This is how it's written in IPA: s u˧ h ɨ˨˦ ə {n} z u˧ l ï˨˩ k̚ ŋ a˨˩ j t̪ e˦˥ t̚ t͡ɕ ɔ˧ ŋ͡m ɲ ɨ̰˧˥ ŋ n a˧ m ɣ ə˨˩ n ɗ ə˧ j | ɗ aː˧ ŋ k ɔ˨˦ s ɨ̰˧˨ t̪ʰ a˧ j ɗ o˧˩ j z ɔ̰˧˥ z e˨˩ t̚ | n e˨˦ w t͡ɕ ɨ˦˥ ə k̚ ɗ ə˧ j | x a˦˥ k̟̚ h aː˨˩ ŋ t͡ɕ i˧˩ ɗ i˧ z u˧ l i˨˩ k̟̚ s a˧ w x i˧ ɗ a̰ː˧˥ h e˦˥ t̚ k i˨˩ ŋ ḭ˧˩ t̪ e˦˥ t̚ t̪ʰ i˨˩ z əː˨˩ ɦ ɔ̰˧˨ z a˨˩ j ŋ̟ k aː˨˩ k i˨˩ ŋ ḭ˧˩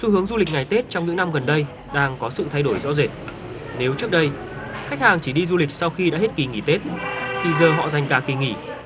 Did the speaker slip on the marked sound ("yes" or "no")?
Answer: yes